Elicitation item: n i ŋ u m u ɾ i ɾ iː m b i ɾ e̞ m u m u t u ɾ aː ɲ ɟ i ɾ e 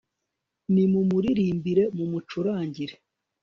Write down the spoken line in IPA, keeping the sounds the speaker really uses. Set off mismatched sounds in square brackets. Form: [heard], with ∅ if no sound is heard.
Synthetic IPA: n i [m] u m u ɾ i ɾ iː m b i ɾ e̞ m u m u [t͡ʃ] u ɾ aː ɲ ɟ i ɾ e